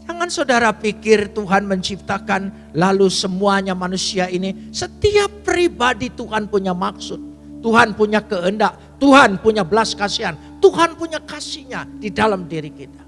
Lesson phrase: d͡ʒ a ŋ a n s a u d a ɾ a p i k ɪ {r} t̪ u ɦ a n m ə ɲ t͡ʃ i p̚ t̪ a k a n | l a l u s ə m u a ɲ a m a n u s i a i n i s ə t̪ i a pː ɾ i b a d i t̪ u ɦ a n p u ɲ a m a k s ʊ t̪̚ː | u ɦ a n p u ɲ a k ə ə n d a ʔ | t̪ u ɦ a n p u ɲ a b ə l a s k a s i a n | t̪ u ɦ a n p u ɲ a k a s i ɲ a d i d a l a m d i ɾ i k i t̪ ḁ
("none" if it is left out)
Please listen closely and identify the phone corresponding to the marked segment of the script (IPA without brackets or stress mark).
r